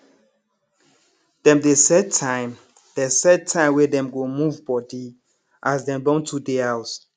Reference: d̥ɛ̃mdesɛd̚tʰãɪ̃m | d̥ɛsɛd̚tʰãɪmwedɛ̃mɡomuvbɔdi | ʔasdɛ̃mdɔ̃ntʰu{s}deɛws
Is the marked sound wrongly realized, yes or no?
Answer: yes